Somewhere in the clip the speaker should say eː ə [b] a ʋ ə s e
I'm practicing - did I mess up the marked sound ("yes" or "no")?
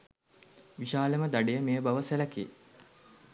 no